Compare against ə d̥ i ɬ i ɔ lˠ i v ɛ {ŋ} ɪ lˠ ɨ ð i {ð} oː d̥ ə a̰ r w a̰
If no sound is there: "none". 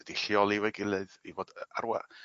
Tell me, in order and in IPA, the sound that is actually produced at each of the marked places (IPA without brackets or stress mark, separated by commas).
ɡ, v